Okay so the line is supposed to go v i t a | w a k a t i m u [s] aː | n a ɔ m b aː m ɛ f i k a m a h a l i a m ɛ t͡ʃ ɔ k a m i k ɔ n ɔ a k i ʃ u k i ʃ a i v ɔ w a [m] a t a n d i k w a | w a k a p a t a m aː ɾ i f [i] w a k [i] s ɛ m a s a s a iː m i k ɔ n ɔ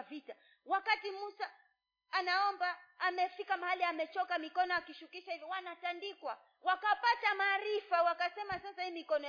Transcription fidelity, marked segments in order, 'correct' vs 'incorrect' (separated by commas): correct, incorrect, incorrect, incorrect